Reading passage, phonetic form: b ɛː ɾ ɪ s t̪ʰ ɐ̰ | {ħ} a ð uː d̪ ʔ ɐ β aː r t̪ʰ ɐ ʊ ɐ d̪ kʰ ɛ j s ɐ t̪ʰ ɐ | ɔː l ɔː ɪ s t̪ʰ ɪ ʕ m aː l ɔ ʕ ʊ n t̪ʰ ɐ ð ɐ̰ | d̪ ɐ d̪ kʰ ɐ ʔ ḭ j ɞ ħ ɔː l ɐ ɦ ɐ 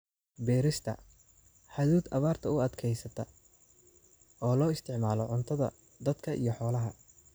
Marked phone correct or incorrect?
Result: correct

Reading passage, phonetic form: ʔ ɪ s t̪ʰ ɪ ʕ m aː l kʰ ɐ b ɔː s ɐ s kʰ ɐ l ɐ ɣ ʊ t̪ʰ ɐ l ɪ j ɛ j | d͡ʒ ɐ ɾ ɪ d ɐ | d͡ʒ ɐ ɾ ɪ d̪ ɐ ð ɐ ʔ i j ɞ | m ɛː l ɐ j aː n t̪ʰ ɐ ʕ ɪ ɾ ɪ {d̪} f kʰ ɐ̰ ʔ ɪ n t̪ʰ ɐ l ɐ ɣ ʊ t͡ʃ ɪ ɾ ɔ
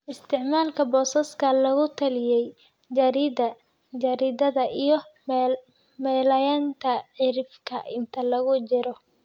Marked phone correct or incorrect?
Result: incorrect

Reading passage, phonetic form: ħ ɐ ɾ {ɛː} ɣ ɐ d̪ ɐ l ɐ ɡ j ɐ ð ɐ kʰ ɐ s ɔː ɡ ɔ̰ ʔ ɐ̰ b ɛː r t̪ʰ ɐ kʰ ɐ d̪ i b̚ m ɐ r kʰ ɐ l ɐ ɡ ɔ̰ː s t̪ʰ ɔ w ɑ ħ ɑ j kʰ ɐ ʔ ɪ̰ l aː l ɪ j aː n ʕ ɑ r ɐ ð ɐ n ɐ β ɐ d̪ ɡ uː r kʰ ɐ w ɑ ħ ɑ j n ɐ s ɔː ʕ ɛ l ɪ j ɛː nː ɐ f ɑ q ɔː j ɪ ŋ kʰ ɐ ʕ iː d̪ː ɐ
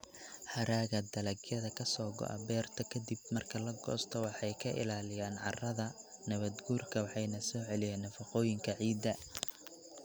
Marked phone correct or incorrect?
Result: incorrect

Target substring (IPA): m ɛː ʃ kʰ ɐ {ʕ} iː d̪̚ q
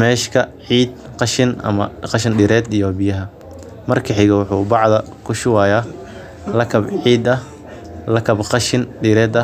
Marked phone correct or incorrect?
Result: correct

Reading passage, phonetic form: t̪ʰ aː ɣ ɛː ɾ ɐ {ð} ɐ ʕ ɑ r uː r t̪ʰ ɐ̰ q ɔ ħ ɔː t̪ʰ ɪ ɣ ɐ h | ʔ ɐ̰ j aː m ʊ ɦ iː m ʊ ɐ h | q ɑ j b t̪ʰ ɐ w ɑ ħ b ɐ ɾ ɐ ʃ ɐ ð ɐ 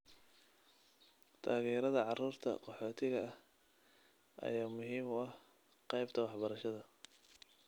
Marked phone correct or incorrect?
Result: correct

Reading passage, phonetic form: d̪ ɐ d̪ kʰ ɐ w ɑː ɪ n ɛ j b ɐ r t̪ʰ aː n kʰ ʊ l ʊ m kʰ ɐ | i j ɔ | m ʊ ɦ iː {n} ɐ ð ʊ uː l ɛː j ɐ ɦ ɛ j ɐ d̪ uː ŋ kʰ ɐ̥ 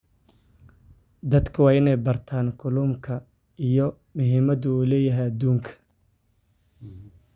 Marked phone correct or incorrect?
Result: incorrect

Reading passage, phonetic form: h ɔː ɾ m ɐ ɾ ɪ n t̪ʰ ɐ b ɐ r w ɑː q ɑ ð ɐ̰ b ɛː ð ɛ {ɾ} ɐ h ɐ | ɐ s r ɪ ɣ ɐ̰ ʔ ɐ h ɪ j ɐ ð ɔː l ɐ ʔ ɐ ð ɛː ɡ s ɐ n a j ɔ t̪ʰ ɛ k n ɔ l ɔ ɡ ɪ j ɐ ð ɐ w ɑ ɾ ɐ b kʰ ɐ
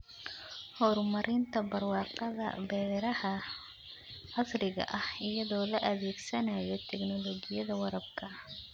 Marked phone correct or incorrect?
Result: correct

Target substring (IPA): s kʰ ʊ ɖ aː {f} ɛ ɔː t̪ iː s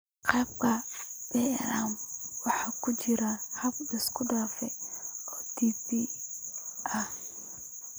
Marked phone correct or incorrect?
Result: correct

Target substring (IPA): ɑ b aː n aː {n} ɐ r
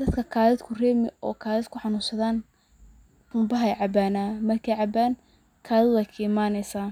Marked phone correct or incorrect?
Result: incorrect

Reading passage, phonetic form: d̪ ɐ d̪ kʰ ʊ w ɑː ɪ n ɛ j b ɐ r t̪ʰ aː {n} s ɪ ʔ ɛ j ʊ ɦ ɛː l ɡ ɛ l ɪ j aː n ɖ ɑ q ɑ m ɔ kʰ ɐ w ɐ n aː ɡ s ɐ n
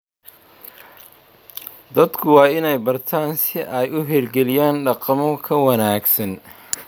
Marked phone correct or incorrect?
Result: correct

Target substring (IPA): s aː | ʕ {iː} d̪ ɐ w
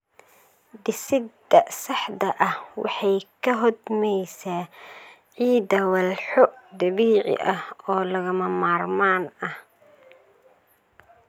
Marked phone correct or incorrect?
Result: correct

